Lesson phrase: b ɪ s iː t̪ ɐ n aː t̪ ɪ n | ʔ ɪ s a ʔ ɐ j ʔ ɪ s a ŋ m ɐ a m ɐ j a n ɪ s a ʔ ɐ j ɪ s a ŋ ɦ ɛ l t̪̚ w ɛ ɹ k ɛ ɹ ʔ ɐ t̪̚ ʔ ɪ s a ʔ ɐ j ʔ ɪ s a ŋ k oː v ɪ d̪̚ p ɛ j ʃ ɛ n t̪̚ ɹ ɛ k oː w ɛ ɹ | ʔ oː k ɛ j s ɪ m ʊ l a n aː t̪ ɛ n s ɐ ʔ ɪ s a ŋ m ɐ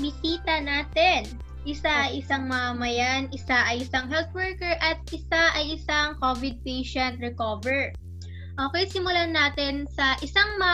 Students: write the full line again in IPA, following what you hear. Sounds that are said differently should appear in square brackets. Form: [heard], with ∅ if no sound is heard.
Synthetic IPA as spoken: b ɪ s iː t̪ ɐ n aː t̪ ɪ n | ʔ ɪ s a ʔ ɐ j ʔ ɪ s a ŋ m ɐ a m ɐ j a n ɪ s a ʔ ɐ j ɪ s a ŋ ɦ ɛ l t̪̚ w ɛ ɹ k ɛ ɹ ʔ ɐ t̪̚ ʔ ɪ s a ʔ ɐ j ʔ ɪ s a ŋ k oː v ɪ d̪̚ p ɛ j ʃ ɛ n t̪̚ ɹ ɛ k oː [v] ɛ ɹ | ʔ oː k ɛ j s ɪ m ʊ l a n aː t̪ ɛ n s ɐ ʔ ɪ s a ŋ m ɐ